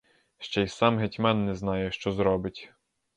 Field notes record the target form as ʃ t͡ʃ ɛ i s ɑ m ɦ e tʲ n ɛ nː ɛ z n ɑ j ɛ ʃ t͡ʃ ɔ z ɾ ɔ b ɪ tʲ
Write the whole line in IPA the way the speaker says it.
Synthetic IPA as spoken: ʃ t͡ʃ ɛ j s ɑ m ɦ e tʲ m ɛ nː ɛ z n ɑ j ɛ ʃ t͡ʃ ɔ z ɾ ɔ b ɪ tʲ